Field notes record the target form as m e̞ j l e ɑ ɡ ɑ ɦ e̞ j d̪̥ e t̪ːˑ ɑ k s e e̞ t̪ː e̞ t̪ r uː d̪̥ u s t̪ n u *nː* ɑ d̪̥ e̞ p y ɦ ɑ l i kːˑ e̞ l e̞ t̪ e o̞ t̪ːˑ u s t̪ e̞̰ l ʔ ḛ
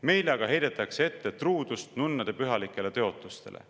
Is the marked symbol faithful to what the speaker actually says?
yes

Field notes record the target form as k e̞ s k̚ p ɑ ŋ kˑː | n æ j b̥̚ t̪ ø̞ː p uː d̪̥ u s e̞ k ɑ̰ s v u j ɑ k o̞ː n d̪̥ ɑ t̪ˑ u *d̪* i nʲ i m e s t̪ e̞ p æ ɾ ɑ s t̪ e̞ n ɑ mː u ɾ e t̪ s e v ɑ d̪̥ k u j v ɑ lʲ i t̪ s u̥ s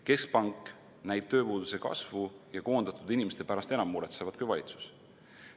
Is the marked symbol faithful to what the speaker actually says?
yes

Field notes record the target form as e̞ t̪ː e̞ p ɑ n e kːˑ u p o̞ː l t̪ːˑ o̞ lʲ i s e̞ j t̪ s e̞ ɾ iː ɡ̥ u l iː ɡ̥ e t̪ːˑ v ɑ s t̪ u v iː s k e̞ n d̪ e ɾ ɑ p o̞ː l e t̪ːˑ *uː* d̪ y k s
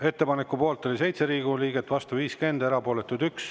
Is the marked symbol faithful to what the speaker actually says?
no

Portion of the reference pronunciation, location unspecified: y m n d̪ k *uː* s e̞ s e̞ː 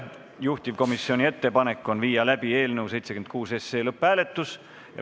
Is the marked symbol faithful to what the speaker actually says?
yes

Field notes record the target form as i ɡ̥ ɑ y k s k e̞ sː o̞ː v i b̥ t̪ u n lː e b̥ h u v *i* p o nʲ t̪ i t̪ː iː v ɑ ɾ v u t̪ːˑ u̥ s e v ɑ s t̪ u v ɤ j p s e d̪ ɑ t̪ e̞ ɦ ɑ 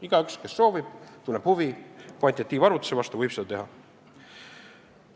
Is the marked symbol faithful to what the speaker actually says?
yes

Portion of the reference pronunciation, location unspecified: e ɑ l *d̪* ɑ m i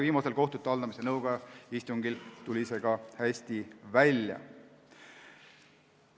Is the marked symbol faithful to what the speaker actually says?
yes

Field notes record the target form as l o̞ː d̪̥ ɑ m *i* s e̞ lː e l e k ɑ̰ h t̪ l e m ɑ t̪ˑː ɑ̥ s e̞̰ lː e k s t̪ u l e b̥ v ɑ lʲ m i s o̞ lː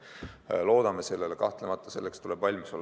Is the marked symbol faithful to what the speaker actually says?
no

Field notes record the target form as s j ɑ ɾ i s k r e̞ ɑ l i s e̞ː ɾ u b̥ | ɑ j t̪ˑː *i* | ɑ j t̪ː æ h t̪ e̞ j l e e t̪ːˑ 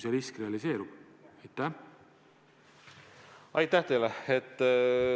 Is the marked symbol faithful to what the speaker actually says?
no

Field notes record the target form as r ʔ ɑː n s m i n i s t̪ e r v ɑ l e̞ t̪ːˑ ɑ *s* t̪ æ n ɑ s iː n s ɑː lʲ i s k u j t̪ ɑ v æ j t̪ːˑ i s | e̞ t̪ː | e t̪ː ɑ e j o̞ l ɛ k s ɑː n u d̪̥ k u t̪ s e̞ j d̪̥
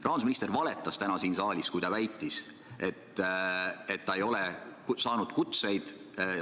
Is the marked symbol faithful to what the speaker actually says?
yes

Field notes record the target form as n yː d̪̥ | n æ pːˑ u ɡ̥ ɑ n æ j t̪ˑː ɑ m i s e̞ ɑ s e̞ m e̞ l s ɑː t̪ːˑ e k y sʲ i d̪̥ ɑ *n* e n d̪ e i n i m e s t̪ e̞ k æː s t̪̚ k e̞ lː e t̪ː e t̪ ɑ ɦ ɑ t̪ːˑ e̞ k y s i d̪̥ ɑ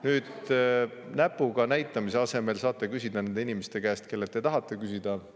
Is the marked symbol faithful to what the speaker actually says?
yes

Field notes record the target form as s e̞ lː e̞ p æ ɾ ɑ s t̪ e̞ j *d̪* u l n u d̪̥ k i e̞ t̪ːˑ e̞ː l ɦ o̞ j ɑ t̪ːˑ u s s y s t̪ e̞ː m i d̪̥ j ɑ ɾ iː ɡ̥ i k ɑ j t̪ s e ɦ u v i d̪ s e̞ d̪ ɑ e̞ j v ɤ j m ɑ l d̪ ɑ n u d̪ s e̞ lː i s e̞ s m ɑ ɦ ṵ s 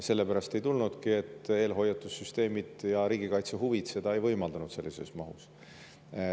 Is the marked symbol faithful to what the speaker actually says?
no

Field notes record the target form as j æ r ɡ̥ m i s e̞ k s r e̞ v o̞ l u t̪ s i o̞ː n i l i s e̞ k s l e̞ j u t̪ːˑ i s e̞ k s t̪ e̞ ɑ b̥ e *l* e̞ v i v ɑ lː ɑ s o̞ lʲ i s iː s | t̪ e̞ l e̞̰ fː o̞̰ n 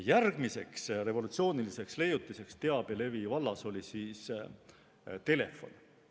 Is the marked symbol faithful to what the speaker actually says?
yes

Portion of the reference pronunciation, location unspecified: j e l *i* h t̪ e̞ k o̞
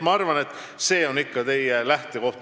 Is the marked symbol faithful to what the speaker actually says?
no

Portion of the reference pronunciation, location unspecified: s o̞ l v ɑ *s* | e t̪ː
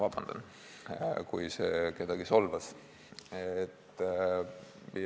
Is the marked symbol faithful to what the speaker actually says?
yes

